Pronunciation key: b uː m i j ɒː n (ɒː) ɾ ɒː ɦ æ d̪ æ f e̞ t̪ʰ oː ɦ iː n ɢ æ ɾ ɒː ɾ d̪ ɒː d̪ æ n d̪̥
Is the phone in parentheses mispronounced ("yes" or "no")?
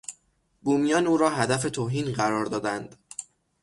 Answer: yes